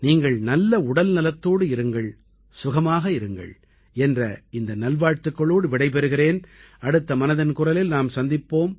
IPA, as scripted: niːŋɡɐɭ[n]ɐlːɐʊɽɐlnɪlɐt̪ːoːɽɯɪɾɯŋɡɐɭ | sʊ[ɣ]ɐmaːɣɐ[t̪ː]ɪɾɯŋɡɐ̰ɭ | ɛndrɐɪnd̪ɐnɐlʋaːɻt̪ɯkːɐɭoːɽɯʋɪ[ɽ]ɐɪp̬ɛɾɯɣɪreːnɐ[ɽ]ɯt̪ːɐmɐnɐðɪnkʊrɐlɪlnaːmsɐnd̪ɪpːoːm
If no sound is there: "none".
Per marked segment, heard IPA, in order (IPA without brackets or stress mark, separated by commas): n, ɣ, none, ɽ, ɽ